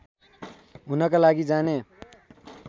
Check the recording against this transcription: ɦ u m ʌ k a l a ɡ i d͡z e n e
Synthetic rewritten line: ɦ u n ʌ k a l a ɡ i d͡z a n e